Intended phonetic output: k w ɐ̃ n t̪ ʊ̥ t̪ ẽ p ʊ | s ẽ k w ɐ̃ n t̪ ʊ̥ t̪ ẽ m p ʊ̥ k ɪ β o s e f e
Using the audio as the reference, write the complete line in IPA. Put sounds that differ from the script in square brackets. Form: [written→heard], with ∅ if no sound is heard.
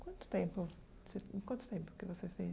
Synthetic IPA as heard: k w ɐ̃ n t̪ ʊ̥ t̪ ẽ p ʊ | s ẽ k w ɐ̃ n t̪ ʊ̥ t̪ ẽ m p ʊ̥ k ɪ [β→v] o s e f e

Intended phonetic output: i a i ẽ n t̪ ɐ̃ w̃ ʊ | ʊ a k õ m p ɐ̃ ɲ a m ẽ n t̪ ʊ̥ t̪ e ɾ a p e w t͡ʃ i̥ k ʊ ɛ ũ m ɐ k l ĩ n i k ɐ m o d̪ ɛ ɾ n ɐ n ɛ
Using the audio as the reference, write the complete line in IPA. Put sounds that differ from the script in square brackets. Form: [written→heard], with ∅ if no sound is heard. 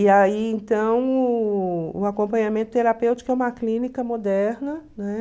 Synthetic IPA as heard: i a i ẽ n t̪ ɐ̃ w̃ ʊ | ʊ a k õ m p ɐ̃ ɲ a m ẽ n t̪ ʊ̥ t̪ e ɾ a p e w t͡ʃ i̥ k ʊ ɛ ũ m ɐ k l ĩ n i k ɐ m o d̪ ɛ ɾ n ɐ n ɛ

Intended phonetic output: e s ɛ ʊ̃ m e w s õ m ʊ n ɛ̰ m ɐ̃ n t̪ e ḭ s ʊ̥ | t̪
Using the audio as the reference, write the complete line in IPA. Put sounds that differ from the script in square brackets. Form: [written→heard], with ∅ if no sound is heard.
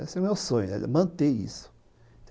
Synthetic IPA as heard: e s ɛ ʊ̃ m e w s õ [m→ɲ] ʊ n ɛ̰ m ɐ̃ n t̪ e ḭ s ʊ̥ | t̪

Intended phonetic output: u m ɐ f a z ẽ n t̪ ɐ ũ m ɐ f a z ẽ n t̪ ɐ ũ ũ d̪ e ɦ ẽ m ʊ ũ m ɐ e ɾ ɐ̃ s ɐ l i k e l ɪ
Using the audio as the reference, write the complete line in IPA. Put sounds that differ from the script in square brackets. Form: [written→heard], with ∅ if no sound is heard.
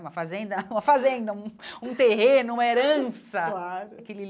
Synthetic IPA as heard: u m ɐ f a z ẽ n [t̪→d̪] ɐ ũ m ɐ f a z ẽ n [t̪→d̪] ɐ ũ ũ [d̪→t̪] e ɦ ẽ [m→n] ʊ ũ m ɐ e ɾ ɐ̃ s ɐ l [i→a] k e l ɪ

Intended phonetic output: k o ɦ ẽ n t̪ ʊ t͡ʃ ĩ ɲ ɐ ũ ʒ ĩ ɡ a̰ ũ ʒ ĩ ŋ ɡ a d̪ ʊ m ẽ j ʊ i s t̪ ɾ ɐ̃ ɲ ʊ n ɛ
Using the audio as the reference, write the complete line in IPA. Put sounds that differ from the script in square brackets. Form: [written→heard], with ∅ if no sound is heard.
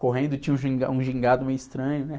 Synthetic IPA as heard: k o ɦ ẽ n [t̪→d̪] ʊ t͡ʃ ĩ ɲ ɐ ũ ʒ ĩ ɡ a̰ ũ ʒ ĩ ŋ ɡ a d̪ ʊ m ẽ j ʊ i s t̪ ɾ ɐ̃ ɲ ʊ n ɛ

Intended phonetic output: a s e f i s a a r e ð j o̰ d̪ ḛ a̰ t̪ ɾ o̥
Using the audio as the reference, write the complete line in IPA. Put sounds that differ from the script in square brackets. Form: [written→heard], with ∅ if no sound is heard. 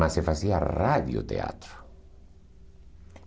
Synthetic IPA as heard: a s e f [i→a] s [a→i] a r [e→a] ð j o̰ [d̪→t̪] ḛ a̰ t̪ ɾ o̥

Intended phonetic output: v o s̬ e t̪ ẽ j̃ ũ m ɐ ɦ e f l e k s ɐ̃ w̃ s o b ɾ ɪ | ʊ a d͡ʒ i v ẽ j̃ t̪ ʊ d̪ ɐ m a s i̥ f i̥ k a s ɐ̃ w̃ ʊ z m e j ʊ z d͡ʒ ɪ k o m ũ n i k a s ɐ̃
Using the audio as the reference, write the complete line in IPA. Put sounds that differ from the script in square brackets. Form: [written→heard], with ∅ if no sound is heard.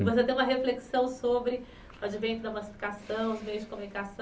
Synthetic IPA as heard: v o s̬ e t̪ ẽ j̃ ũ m ɐ ɦ e f l e k s ɐ̃ w̃ s o b ɾ ɪ | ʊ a d͡ʒ i v ẽ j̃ t̪ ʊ d̪ ɐ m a s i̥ f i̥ k a s ɐ̃ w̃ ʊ z m e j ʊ z d͡ʒ ɪ k o m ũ n i k a s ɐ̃

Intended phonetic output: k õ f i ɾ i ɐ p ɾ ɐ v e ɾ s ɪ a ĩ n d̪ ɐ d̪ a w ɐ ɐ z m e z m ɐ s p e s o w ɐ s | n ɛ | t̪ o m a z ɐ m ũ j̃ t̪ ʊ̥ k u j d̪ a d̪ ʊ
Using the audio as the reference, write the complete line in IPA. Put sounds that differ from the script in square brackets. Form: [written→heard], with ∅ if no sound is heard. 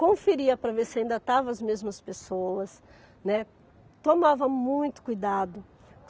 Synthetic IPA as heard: k õ f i ɾ i ɐ p ɾ ɐ v e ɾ s ɪ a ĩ n d̪ ɐ [d̪→t̪] a [w→v] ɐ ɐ z m e z m ɐ s p e s o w ɐ s | n ɛ | t̪ o m a [z→v] ɐ m ũ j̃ t̪ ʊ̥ k u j d̪ a d̪ ʊ

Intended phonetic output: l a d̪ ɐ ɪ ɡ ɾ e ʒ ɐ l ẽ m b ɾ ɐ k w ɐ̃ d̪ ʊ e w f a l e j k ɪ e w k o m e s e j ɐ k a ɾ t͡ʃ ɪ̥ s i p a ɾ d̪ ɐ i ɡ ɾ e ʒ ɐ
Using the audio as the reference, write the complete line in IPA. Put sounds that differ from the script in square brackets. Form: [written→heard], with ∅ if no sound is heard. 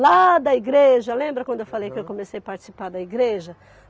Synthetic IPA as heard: l a d̪ ɐ [ɪ→i] ɡ ɾ e ʒ ɐ l ẽ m b ɾ ɐ k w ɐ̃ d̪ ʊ e w f a l e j k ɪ e w k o m e s e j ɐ [k→p] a ɾ t͡ʃ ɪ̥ s i p a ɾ d̪ ɐ i ɡ ɾ e ʒ ɐ

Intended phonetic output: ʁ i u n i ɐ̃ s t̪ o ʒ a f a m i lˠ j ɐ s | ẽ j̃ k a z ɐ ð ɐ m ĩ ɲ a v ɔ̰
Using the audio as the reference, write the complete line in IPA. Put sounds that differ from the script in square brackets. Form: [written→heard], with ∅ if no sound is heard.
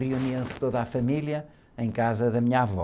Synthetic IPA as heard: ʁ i u n i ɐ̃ s t̪ o [ʒ→ð] a f [a→ɐ] m i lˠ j ɐ [s→∅] | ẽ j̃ k a z ɐ ð ɐ m [ĩ→i] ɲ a v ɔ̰

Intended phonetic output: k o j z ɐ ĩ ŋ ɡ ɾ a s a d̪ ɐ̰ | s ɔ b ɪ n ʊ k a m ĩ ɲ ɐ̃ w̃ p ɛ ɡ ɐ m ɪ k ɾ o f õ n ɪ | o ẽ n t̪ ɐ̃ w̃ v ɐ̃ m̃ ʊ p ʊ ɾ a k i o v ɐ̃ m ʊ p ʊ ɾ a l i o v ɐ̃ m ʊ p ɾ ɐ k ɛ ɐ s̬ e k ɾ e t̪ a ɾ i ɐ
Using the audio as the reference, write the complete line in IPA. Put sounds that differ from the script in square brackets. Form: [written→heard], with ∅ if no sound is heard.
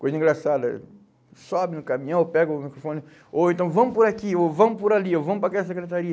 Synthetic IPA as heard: k o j z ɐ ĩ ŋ ɡ ɾ a s a d̪ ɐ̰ | s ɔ b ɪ n ʊ k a m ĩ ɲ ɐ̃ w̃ p ɛ ɡ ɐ m [ɪ→i] k ɾ o f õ n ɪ | o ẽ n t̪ ɐ̃ w̃ v ɐ̃ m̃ ʊ p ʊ ɾ a k i o v ɐ̃ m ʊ p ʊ ɾ a l i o v ɐ̃ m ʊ p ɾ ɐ k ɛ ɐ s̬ e k ɾ e t̪ a ɾ i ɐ

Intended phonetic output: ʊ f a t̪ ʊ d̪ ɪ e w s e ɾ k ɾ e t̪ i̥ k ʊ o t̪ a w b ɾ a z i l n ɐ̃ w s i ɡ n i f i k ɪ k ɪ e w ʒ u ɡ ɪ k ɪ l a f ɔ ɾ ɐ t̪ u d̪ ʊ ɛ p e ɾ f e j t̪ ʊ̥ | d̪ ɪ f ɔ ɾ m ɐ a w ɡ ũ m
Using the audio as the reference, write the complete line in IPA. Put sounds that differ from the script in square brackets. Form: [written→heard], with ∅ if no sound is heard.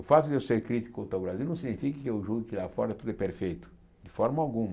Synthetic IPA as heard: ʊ f a t̪ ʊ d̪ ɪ e w s e ɾ k ɾ [e→i] t̪ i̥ k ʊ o t̪ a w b ɾ a z i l n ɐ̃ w s i ɡ n i f i k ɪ k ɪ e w ʒ u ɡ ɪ k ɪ l a f ɔ ɾ ɐ t̪ u d̪ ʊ ɛ p e ɾ f e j t̪ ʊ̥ | d̪ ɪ f ɔ ɾ m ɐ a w ɡ ũ m

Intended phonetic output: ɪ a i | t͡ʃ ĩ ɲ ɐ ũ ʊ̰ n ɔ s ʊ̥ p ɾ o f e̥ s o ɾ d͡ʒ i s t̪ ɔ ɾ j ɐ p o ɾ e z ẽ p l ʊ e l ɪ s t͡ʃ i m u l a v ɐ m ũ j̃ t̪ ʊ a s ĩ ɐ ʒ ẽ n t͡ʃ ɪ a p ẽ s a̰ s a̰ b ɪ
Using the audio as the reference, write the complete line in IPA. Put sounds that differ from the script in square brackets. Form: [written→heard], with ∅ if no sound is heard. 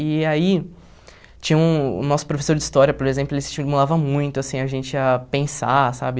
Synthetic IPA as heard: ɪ a i | t͡ʃ ĩ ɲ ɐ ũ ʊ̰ n ɔ s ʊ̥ p ɾ o f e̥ s o ɾ d͡ʒ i s t̪ ɔ ɾ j ɐ p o ɾ e z ẽ p l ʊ e l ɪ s t͡ʃ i m u l a v ɐ m ũ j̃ t̪ ʊ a s ĩ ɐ ʒ ẽ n t͡ʃ ɪ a p ẽ s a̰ s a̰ b ɪ

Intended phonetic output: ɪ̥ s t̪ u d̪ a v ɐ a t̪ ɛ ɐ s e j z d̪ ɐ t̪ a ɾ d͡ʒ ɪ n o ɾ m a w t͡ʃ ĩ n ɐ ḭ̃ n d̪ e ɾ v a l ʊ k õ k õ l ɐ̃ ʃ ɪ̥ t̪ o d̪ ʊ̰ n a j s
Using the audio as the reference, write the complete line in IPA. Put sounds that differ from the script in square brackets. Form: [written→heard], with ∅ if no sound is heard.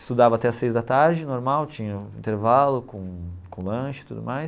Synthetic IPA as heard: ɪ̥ s t̪ u d̪ a v ɐ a t̪ ɛ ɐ s e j z d̪ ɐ t̪ a ɾ d͡ʒ ɪ n o ɾ m a w t͡ʃ ĩ [n→ɲ] ɐ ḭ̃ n [d̪→t̪] e ɾ v a l ʊ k õ k õ l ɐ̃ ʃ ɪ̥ t̪ [o→u] d̪ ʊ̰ [n→m] a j s

